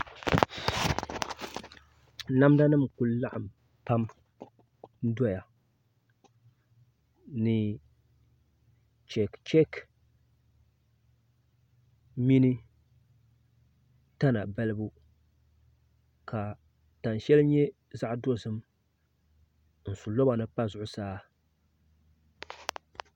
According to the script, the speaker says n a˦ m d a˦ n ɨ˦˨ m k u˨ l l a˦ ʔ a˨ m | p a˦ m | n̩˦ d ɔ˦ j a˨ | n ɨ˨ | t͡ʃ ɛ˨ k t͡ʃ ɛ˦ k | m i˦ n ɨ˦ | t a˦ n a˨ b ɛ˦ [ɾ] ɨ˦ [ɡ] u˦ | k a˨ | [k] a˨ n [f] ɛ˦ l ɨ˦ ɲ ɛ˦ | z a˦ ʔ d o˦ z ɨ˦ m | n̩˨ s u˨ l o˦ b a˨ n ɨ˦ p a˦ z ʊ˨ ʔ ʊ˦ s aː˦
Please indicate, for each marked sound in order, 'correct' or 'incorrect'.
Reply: incorrect, incorrect, incorrect, incorrect

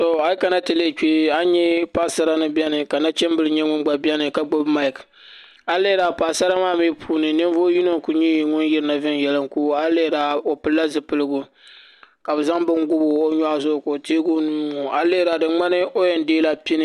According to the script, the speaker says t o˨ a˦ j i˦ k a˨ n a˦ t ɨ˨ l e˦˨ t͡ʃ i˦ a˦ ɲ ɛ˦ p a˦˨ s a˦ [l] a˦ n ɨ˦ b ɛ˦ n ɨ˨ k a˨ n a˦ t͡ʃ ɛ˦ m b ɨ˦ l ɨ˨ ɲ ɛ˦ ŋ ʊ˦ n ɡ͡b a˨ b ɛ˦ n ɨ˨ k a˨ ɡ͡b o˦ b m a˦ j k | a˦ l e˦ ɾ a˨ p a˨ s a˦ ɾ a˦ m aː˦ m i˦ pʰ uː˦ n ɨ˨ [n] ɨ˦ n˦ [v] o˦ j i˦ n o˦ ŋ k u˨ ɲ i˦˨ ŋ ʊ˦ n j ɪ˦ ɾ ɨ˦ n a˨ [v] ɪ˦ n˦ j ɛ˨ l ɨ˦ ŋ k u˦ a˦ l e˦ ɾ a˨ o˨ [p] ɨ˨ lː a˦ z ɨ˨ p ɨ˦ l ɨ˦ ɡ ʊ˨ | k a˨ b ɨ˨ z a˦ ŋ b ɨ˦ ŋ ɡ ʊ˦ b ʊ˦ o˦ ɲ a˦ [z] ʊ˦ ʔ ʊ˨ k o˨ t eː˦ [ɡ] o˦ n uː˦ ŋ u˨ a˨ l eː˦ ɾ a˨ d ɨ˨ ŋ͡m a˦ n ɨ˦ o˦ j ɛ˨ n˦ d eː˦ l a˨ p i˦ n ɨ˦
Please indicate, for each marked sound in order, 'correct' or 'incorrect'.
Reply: incorrect, correct, correct, correct, correct, correct, correct

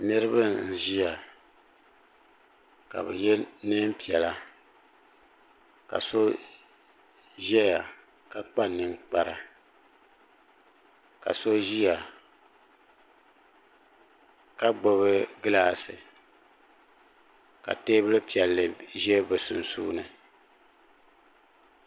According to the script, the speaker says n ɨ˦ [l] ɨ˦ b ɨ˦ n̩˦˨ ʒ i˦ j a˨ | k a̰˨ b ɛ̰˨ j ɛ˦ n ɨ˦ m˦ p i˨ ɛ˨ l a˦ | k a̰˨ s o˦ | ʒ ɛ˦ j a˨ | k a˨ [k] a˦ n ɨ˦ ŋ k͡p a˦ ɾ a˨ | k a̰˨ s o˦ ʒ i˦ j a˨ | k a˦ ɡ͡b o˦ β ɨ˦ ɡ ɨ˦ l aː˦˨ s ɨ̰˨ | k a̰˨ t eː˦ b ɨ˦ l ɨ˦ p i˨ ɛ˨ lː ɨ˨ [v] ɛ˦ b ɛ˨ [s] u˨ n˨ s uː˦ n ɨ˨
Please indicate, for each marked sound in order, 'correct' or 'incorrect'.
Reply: incorrect, incorrect, incorrect, correct

